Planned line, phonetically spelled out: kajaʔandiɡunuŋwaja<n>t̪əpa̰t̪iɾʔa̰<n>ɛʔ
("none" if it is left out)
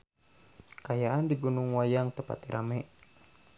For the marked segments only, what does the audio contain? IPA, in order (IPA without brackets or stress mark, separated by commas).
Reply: ŋ, m